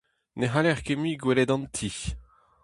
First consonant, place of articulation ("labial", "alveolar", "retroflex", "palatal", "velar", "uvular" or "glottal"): alveolar